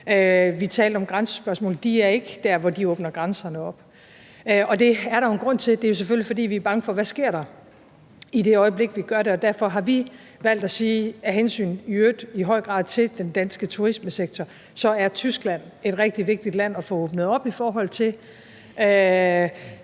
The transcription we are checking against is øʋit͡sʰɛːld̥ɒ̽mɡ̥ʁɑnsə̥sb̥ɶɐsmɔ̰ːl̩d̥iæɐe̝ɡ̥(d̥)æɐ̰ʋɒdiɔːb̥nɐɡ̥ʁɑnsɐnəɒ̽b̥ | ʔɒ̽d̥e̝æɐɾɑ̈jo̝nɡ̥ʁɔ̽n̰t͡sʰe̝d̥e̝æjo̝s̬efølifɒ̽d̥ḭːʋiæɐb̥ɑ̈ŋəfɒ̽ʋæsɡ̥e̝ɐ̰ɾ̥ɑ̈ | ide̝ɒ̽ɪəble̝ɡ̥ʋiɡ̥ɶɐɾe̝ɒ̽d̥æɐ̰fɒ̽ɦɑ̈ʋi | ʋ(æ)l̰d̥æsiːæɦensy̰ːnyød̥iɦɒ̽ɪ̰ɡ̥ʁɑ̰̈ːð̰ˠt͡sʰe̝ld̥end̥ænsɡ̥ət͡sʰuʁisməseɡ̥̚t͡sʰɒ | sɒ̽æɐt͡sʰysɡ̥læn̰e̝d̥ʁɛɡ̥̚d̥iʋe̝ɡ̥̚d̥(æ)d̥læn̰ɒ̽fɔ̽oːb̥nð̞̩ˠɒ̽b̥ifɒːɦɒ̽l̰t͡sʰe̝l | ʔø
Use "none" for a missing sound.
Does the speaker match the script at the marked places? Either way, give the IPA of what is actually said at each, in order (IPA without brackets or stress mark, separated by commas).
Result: d̥, æ, i